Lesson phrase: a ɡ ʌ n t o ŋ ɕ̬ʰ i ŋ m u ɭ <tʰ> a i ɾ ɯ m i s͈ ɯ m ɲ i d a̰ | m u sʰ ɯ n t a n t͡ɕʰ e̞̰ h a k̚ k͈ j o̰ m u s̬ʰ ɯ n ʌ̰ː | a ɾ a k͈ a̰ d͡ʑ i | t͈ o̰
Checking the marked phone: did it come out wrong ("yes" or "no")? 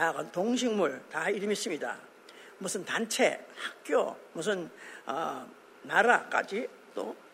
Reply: yes